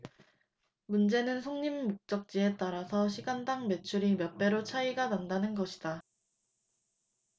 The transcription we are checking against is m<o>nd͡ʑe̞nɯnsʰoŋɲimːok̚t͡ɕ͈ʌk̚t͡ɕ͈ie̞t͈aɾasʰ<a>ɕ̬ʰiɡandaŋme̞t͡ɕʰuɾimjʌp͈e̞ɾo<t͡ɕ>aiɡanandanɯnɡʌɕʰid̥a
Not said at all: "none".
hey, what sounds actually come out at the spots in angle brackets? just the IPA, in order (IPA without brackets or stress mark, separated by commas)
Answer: u, ʌ, t͡ɕʰ